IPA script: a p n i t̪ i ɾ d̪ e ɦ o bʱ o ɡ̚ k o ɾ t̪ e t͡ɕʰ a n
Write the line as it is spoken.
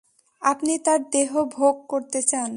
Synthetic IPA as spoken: a p n i t̪ a ɾ d̪ e ɦ o bʱ o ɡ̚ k o ɾ t̪ e t͡ɕ a n